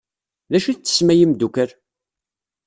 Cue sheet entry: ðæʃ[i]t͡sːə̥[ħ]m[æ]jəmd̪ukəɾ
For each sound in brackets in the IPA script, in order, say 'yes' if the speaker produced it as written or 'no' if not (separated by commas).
yes, no, yes